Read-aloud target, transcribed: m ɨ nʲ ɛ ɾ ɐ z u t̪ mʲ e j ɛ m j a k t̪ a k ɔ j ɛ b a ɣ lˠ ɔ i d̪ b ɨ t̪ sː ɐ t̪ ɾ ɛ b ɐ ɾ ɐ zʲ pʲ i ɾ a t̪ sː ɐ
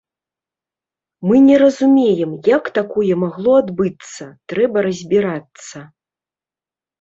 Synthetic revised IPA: m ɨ nʲ ɛ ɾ ɐ z u mʲ e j ɛ m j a k t̪ a k ɔ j ɛ m a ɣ lˠ ɔ a d̪ b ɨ t̪ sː ɐ t̪ ɾ ɛ b ɐ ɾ ɐ zʲ bʲ i ɾ a t̪ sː ɐ